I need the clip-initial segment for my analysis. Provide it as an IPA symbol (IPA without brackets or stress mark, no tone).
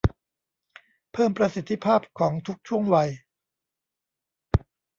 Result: pʰ